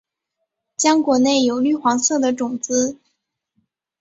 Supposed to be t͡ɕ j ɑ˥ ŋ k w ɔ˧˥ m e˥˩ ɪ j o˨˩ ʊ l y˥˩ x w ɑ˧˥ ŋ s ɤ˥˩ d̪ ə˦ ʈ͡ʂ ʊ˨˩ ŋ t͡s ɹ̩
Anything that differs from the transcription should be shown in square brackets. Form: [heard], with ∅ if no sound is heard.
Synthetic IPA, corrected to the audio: t͡ɕ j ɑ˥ ŋ k w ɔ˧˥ [n] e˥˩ ɪ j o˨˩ ʊ l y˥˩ x w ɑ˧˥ ŋ s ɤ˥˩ d̪ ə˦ ʈ͡ʂ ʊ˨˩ ŋ t͡s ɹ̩